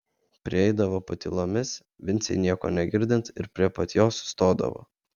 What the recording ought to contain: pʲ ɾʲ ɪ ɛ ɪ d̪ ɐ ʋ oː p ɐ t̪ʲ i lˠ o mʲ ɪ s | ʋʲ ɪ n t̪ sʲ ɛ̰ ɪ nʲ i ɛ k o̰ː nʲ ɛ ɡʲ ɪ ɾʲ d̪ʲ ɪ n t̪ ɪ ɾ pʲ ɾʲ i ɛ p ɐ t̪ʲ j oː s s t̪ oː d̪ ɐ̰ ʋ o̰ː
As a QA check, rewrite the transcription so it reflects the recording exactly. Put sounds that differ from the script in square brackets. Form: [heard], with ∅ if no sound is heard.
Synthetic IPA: pʲ ɾʲ ɪ ɛ ɪ d̪ ɐ ʋ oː p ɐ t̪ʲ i lˠ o mʲ ɪ s | ʋʲ ɪ n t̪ sʲ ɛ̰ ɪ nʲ i ɛ k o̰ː nʲ ɛ ɡʲ ɪ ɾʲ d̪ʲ ɪ n t̪ ɪ ɾ pʲ ɾʲ i ɛ p ɐ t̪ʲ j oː s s t̪ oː d̪ ɐ̰ ʋ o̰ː